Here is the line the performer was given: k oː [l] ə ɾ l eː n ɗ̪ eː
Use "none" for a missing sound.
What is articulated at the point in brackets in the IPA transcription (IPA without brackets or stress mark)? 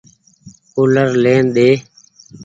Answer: l